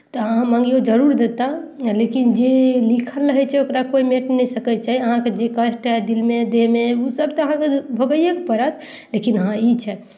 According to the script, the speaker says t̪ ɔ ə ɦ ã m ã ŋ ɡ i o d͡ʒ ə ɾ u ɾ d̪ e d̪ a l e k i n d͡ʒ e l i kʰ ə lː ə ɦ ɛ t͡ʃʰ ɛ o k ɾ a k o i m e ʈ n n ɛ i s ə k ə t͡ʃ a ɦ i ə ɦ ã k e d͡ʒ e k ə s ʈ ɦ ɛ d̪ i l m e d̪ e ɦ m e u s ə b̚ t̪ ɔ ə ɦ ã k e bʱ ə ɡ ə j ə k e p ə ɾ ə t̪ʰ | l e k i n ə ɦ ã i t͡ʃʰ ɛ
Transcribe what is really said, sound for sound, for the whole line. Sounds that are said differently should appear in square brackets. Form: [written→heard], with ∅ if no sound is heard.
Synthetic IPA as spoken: t̪ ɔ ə ɦ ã m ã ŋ ɡ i o d͡ʒ ə ɾ u ɾ d̪ e [d̪→t̪] a l e k i n d͡ʒ e l i kʰ ə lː ə ɦ ɛ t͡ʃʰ ɛ o k ɾ a k o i m e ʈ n n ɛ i s ə k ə t͡ʃ a ɦ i ə ɦ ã k e d͡ʒ e k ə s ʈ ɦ ɛ d̪ i l m e d̪ e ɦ m e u s ə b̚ t̪ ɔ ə ɦ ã k e bʱ ə ɡ ə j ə k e p ə ɾ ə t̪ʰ | l e k i n ə ɦ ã i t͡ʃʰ ɛ